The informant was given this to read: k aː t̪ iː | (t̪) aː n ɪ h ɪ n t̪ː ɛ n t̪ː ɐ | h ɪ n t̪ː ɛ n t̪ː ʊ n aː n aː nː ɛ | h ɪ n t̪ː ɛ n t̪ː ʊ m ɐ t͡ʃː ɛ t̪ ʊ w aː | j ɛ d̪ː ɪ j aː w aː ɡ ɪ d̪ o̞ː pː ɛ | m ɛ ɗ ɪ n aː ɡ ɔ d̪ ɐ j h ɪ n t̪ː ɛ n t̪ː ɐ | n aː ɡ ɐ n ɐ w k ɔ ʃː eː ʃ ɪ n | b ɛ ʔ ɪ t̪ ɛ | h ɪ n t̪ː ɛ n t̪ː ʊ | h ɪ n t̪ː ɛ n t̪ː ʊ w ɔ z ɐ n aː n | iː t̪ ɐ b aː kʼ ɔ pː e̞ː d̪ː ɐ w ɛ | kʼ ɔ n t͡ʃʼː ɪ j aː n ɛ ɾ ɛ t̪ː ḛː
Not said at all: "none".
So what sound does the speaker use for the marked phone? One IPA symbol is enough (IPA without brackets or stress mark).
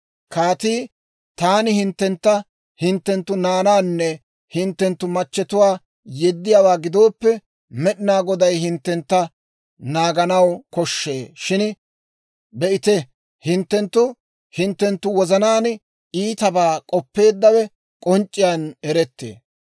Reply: t̪